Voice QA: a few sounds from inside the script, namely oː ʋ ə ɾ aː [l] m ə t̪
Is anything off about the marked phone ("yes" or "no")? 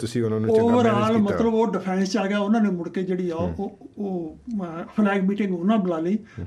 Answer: no